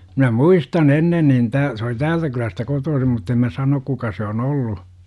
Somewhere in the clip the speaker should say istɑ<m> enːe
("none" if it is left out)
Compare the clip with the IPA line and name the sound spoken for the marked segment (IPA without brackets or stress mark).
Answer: n